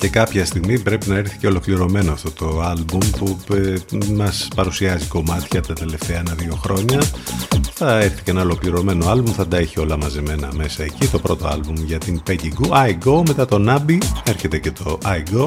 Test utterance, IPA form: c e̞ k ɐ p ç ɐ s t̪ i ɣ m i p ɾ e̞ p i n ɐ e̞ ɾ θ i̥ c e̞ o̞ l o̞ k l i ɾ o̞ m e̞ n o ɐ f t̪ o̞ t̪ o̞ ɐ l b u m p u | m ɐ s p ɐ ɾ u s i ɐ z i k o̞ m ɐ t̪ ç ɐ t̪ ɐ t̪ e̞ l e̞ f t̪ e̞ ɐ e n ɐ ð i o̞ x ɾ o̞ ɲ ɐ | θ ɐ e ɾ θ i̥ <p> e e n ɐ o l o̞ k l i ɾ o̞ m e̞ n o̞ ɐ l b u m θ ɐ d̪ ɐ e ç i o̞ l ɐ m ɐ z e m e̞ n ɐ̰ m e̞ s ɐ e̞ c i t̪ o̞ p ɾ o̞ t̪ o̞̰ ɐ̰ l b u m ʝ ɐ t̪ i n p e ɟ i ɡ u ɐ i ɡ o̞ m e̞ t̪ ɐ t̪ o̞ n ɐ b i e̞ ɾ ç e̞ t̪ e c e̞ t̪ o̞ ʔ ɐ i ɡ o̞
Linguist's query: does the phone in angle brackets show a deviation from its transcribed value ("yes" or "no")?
yes